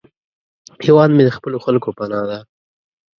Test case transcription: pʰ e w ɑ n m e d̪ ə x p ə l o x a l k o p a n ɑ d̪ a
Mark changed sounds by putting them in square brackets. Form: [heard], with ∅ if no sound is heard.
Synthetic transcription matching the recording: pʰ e w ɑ n m e d̪ ə x p ə l o x a l k o p a n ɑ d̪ a